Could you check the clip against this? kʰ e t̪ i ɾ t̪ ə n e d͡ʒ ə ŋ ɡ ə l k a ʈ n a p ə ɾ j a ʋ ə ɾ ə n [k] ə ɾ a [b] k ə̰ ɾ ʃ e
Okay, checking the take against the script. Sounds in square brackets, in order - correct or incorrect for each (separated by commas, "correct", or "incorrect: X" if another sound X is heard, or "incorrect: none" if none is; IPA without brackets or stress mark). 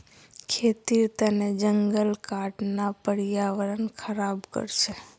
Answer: incorrect: kʰ, correct